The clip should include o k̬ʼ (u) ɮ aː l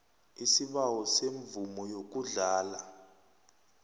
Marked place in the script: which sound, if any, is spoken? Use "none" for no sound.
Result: u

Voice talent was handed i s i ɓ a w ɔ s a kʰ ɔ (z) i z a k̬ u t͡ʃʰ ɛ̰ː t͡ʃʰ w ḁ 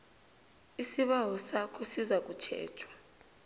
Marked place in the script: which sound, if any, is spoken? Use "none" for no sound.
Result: s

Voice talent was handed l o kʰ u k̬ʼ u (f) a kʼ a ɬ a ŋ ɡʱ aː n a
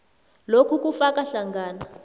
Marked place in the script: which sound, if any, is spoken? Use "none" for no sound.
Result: f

